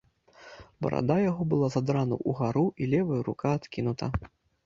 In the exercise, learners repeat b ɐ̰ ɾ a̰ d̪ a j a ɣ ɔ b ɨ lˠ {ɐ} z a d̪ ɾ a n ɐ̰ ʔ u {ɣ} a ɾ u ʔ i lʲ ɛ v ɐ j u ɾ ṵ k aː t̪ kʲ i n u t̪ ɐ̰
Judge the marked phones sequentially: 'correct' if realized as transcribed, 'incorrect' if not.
incorrect: a, correct

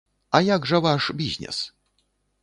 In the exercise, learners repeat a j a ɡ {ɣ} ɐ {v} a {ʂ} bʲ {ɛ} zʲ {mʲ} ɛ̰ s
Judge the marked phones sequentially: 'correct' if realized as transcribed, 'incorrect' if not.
incorrect: ʐ, correct, correct, incorrect: i, incorrect: nʲ

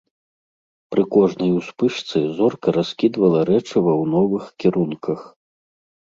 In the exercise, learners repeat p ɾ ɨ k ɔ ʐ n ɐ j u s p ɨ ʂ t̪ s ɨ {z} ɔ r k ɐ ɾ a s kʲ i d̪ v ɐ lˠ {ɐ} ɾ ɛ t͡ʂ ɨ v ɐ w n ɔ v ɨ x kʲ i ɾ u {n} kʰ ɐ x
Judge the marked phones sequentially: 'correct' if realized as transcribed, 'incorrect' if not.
correct, correct, correct

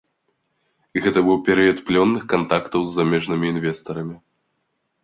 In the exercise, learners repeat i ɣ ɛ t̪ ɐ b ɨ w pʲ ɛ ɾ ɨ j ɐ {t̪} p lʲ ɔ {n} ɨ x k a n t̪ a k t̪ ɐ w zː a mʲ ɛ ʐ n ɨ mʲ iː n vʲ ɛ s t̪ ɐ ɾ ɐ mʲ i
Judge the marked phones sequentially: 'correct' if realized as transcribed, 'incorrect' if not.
correct, incorrect: nː

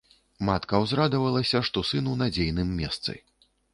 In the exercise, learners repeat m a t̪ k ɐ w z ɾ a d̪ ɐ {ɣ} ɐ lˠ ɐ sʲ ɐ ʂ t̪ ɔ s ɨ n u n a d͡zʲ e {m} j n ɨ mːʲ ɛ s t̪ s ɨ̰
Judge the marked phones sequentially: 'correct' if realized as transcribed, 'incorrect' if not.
incorrect: v, incorrect: none

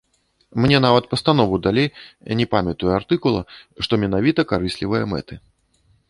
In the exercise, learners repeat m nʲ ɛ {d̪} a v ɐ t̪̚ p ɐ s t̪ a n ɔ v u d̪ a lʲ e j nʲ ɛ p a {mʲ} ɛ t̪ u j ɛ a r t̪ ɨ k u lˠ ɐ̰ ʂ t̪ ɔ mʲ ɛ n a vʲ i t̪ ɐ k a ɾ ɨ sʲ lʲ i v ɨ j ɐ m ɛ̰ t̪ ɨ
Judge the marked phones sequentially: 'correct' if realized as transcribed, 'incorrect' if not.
incorrect: n̪, correct

